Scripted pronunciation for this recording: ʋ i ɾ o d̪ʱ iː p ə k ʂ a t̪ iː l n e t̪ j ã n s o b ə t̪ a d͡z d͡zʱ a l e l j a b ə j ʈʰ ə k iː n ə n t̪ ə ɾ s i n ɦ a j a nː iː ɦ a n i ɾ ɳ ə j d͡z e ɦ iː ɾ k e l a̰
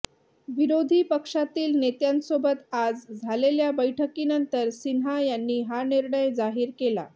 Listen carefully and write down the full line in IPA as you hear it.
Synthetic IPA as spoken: ʋ i ɾ o d̪ʱ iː p ə k ʂ a t̪ iː l n e t̪ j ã n s o b ə t̪ a d͡z d͡zʱ a l e l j a b ə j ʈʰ ə k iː n ə n t̪ ə ɾ s i n ɦ a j a nː iː ɦ a n i ɾ ɳ ə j d͡z a ɦ iː ɾ k e l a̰